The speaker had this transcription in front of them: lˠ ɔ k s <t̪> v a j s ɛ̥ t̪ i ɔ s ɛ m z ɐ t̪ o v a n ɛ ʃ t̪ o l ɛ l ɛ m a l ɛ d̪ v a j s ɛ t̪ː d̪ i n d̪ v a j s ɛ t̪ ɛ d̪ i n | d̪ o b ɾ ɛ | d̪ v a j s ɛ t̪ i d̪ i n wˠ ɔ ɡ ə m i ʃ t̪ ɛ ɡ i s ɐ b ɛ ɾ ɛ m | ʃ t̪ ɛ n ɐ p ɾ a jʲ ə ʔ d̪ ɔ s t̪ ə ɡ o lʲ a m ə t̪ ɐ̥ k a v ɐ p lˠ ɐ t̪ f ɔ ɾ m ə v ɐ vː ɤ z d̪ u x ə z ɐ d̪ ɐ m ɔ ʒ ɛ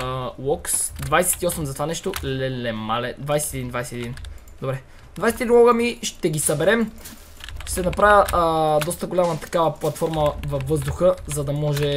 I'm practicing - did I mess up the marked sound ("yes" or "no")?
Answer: yes